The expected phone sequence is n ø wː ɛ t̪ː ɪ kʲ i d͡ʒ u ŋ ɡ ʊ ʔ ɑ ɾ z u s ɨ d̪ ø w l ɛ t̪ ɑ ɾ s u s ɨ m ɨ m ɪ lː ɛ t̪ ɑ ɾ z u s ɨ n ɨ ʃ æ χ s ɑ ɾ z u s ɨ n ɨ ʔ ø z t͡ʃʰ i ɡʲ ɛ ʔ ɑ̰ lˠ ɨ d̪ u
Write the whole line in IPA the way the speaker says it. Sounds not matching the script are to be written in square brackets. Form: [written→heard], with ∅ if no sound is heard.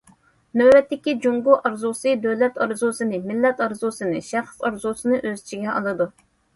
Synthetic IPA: n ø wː ɛ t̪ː ɪ kʲ i d͡ʒ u ŋ ɡ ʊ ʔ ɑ ɾ z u s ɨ d̪ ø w l ɛ t̪ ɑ ɾ [s→z] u s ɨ [m→n] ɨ m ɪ lː ɛ t̪ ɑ ɾ z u s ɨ n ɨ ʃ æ χ s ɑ ɾ z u s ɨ n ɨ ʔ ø z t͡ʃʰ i ɡʲ ɛ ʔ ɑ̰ lˠ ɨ d̪ u